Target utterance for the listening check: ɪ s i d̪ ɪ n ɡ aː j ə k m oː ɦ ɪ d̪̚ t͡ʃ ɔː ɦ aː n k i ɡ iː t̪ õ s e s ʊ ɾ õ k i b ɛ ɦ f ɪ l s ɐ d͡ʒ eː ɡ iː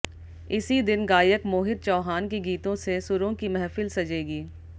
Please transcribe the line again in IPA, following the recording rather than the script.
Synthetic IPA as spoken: ɪ s i d̪ ɪ n ɡ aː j ə k m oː ɦ ɪ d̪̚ t͡ʃ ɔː ɦ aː n k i ɡ iː t̪ õ s e s ʊ ɾ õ k i m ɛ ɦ f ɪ l s ɐ d͡ʒ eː ɡ iː